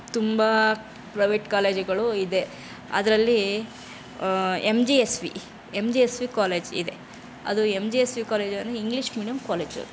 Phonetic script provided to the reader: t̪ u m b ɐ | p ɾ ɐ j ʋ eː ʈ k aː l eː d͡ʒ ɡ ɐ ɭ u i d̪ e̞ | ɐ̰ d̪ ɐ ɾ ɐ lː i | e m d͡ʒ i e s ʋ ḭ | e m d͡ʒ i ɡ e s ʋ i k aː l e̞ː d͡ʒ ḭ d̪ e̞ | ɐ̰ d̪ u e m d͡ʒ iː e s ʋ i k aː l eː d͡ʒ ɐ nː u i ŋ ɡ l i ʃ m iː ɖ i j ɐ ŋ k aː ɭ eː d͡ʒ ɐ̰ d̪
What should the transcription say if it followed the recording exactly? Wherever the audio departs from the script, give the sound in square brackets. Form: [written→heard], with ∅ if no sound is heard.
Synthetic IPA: t̪ u m b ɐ | p ɾ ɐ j ʋ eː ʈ k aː l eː d͡ʒ ɡ ɐ ɭ u i d̪ e̞ | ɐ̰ d̪ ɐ ɾ ɐ lː i | e m d͡ʒ i e s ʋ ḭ | e m d͡ʒ i [ɡ→∅] e s ʋ i k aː l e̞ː d͡ʒ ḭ d̪ e̞ | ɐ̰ d̪ u e m d͡ʒ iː e s ʋ i k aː l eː d͡ʒ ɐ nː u i ŋ ɡ l i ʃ m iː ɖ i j ɐ [ŋ→m] k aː [ɭ→l] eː d͡ʒ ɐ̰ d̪